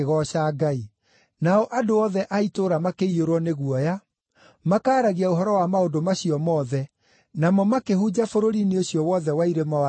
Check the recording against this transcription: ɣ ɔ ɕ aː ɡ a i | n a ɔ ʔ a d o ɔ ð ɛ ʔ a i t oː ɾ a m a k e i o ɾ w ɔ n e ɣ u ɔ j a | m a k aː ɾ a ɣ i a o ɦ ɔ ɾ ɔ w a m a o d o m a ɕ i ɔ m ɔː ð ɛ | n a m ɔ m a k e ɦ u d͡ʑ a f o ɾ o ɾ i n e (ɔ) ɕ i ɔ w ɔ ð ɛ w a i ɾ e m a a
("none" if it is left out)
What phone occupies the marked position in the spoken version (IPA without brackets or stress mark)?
o